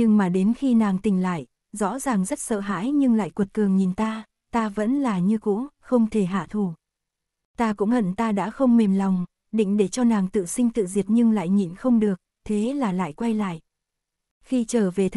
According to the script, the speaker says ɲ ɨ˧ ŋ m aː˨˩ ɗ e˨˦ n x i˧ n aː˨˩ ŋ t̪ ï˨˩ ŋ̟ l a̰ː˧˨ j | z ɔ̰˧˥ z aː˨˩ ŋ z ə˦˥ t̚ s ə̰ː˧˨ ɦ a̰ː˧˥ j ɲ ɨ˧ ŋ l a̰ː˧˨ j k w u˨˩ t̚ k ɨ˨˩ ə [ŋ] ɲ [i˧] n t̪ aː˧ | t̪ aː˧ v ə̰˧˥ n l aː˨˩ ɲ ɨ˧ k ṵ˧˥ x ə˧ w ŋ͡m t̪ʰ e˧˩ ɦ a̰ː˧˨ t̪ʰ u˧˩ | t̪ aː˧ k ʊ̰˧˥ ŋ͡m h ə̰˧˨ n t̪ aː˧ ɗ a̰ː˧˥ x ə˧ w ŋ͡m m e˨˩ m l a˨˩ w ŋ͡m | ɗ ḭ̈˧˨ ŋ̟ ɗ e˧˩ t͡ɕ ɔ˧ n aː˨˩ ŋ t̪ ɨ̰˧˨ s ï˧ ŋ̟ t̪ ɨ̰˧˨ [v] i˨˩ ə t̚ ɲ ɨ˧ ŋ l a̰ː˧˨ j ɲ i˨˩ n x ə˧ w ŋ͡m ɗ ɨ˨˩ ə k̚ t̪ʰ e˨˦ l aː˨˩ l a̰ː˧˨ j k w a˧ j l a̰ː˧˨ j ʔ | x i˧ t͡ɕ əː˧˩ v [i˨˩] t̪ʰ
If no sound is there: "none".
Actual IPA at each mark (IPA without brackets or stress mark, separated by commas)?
ŋ, i˨˩, z, e˨˩